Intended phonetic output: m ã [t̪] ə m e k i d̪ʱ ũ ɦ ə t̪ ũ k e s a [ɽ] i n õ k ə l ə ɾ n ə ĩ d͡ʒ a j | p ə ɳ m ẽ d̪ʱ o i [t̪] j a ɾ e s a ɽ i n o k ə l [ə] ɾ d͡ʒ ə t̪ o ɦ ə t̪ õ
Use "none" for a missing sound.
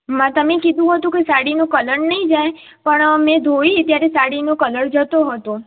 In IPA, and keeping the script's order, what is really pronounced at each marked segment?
t̪, ɽ, t̪, ə

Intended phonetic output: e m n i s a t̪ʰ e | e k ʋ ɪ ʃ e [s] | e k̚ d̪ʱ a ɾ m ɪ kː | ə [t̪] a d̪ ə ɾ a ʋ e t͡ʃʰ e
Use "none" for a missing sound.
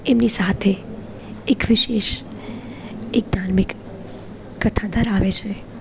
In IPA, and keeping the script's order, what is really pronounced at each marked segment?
ʃ, t̪ʰ

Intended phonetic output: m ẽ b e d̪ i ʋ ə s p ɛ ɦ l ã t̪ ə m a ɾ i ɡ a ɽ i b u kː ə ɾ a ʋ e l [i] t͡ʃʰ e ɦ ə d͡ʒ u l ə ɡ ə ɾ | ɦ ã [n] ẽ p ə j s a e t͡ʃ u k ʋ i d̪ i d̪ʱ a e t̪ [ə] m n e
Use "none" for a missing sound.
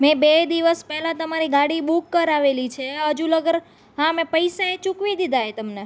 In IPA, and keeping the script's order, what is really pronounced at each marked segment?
i, m, ə

